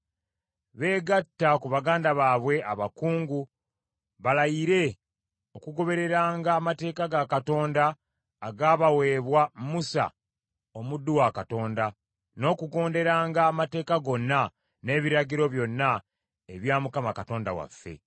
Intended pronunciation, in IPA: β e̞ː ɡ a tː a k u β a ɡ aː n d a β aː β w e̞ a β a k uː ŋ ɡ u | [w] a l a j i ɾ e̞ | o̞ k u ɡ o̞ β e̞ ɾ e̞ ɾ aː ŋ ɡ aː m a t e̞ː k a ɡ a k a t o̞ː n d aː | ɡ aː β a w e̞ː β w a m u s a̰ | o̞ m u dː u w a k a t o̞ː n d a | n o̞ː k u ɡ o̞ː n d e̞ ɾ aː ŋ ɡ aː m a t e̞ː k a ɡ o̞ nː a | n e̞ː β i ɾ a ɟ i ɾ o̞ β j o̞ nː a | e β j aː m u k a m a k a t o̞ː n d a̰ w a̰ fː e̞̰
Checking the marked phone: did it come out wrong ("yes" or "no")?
yes